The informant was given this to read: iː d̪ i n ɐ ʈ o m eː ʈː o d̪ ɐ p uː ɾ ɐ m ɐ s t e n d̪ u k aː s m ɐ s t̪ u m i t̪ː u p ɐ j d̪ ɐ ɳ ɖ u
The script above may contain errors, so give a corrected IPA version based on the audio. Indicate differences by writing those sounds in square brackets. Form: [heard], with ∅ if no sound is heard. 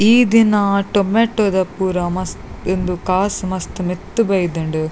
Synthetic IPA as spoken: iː d̪ i n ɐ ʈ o m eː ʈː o d̪ ɐ p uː ɾ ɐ m ɐ s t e n d̪ u k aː s m ɐ s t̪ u m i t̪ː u [b] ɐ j d̪ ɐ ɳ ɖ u